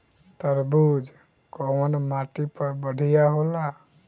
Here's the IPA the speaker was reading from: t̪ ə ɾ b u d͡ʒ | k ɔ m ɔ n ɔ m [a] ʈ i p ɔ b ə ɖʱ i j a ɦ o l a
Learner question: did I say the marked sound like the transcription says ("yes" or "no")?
yes